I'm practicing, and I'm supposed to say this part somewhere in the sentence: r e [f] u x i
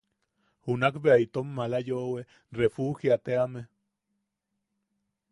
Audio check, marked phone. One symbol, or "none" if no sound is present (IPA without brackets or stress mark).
f